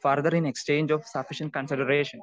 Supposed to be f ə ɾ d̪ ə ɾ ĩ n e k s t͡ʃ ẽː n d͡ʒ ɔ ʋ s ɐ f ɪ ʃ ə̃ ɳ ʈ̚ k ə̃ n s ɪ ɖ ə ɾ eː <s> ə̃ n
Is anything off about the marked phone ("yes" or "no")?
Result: yes